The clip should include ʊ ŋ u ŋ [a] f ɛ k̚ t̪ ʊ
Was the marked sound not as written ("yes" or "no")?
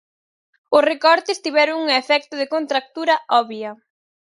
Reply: yes